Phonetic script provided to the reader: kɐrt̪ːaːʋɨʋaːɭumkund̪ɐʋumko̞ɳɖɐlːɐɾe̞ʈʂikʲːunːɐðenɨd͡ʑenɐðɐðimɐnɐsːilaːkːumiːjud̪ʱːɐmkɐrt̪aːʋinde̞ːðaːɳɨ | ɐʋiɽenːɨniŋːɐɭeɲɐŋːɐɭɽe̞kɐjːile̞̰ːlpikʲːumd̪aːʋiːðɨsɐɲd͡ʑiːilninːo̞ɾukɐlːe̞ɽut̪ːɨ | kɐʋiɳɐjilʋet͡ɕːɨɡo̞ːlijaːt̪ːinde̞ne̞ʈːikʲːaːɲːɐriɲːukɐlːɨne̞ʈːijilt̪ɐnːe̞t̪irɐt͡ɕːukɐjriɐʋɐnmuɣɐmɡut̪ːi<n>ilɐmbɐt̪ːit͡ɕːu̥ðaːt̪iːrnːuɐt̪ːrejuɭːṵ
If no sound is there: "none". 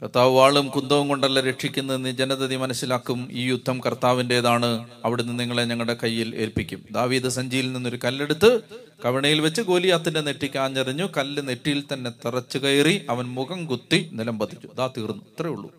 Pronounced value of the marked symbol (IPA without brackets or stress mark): n